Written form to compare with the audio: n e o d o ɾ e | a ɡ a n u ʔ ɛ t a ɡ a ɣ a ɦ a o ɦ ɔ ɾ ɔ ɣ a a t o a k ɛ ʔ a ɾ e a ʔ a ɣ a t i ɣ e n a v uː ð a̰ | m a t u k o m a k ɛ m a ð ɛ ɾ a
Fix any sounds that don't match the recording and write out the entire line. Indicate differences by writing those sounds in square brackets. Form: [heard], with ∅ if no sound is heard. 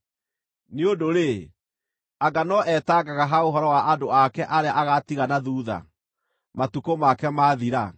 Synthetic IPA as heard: n e o d o ɾ e | a ɡ a n [ɔ] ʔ ɛ t a ɡ a ɣ a ɦ a o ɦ ɔ ɾ ɔ [w] a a [d] o a k ɛ ʔ a ɾ e a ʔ a ɣ a t i ɣ [a] n a [ð] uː ð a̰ | m a t u k o m a k ɛ m a ð [i] ɾ a